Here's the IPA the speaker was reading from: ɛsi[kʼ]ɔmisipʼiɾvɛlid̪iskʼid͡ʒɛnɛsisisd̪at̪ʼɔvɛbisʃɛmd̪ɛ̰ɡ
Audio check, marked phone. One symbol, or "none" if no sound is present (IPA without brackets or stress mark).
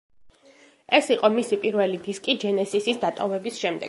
qʼ